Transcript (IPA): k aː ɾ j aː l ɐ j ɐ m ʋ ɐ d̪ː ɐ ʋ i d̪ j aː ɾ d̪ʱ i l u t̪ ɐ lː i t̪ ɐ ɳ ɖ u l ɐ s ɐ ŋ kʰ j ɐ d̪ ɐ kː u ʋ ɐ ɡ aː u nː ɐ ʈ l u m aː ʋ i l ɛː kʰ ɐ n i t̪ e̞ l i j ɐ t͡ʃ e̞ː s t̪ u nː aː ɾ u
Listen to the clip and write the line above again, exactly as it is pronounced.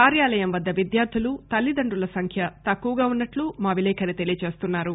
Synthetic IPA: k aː ɾ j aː l ɐ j ɐ m ʋ ɐ d̪ː ɐ ʋ i d̪ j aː ɾ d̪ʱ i l u t̪ ɐ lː i d̪ ɐ ɳ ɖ u l ɐ s ɐ ŋ kʰ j ɐ t̪ ɐ kː u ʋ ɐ ɡ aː u nː ɐ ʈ l u m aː ʋ i l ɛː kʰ ɐ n i t̪ e̞ l i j ɐ t͡ʃ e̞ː s t̪ u nː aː ɾ u